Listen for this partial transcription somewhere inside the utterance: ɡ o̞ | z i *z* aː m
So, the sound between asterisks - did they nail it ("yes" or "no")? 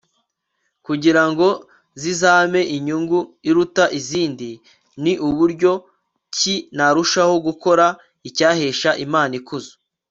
yes